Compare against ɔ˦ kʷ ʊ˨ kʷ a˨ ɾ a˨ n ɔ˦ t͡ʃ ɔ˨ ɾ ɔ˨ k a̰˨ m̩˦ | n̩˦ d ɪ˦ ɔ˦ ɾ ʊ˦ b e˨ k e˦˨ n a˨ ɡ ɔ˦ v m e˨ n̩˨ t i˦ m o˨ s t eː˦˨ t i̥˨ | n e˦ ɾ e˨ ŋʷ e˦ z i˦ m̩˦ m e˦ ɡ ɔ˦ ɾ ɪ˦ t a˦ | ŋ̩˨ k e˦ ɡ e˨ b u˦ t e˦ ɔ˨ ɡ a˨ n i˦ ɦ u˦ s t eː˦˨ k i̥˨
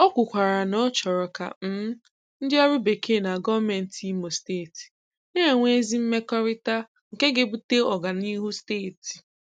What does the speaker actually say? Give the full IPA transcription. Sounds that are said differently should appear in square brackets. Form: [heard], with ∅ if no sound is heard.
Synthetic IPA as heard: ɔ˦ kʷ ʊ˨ kʷ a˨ ɾ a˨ n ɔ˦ t͡ʃ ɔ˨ ɾ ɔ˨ k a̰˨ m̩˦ | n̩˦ d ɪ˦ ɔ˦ ɾ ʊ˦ b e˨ k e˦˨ n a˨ ɡ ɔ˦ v m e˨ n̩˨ t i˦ m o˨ s t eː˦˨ t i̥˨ | n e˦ ɾ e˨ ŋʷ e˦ z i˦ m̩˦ m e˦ [k] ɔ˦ ɾ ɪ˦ t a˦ | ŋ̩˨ k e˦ ɡ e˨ b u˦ t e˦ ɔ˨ ɡ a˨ n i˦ ɦ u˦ s t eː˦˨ [t] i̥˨